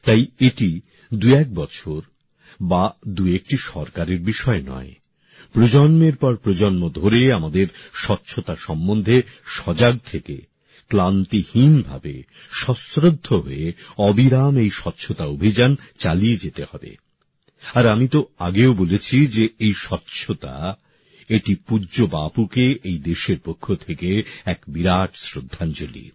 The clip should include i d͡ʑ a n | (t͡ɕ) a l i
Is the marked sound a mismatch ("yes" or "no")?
no